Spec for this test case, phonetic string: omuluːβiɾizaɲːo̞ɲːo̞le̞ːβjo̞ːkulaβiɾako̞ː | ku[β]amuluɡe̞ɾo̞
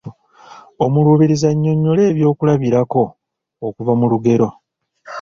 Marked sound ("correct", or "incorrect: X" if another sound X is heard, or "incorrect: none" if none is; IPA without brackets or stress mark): incorrect: v